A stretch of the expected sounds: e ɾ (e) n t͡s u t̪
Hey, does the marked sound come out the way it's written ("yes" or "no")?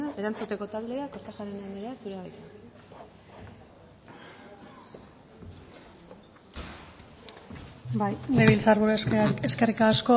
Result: no